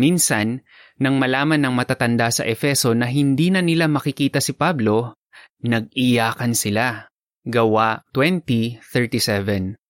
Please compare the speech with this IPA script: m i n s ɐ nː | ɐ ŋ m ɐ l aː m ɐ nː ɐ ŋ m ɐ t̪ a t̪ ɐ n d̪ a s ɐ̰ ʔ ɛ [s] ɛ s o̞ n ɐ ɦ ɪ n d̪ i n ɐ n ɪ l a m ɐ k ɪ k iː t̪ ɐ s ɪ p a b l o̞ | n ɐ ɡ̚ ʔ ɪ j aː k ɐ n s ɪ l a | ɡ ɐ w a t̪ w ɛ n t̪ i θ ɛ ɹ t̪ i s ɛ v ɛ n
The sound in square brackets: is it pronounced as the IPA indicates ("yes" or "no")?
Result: no